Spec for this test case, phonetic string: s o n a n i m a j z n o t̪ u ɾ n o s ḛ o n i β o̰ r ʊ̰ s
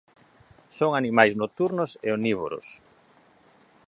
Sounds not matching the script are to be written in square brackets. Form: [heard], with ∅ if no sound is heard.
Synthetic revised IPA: s o [ŋ] a n i m a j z n o t̪ u ɾ n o s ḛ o n i β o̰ [ɾ] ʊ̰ s